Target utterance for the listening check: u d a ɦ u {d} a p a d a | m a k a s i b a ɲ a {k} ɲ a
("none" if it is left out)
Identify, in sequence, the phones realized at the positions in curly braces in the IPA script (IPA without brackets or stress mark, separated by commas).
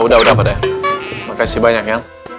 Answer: d, k